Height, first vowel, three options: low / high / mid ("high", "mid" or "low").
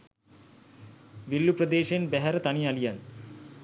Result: high